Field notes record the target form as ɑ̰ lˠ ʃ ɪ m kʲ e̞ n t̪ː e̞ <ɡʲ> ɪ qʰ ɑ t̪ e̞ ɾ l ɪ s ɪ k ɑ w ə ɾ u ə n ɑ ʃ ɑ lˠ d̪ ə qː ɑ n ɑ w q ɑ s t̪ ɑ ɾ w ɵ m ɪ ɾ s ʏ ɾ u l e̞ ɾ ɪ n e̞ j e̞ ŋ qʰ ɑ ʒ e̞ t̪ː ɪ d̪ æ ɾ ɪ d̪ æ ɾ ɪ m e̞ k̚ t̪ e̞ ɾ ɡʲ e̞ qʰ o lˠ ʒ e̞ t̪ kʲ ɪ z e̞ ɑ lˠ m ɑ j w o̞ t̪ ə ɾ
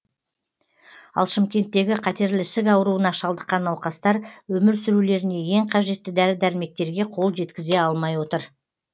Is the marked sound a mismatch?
no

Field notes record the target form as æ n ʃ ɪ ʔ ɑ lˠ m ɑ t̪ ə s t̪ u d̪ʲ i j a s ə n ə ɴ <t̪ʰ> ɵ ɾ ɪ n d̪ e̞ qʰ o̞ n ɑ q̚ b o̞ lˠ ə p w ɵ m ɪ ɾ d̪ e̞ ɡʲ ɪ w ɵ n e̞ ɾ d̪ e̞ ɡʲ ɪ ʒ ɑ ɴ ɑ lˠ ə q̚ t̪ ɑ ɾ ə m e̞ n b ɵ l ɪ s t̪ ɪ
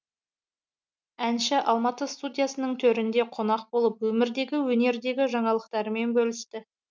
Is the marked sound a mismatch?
no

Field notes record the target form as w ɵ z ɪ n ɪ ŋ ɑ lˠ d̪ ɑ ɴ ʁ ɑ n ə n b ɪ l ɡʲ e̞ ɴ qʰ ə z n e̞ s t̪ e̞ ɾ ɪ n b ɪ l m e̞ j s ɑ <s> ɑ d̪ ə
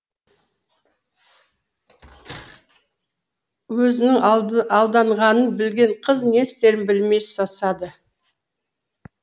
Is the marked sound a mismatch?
no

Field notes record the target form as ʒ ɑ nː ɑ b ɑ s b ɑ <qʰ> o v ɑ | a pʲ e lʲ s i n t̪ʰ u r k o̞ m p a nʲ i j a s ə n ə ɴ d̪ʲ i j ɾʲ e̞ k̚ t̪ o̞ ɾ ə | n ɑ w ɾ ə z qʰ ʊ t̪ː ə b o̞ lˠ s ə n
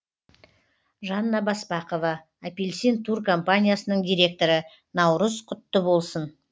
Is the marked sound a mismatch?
yes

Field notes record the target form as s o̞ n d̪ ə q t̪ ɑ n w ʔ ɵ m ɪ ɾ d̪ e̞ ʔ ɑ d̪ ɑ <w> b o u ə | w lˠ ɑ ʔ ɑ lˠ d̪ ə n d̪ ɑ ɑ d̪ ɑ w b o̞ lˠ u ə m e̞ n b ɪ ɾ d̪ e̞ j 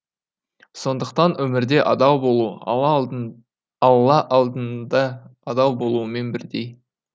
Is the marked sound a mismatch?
no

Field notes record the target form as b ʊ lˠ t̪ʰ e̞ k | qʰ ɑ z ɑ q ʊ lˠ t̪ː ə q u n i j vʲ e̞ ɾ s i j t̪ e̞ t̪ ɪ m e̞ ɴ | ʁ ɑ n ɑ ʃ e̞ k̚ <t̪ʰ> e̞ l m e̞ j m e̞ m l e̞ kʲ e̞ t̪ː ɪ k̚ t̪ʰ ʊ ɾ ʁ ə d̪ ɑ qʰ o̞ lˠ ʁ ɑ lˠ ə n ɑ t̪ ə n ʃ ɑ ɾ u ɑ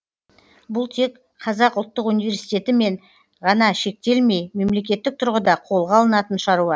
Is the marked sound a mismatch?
yes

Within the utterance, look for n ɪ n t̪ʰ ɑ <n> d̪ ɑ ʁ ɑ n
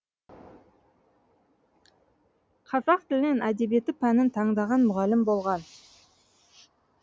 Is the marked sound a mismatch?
yes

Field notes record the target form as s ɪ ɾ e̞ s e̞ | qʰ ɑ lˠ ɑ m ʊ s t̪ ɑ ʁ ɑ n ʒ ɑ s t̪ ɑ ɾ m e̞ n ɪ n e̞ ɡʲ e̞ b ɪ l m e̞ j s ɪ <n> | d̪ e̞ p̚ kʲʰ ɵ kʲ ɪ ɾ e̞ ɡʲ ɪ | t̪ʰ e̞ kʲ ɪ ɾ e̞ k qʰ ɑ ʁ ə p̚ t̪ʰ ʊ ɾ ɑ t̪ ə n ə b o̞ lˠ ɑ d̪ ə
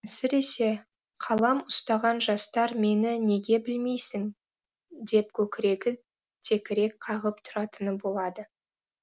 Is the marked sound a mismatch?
yes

